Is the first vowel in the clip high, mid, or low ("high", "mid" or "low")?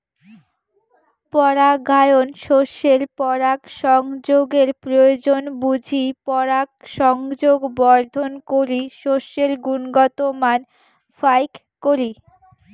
mid